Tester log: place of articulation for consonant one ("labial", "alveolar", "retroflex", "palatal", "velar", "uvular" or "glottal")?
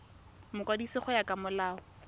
labial